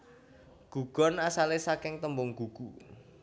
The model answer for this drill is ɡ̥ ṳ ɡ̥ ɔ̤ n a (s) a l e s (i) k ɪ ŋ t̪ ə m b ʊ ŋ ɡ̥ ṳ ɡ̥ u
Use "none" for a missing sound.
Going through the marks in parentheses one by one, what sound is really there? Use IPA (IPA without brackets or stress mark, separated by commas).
s, a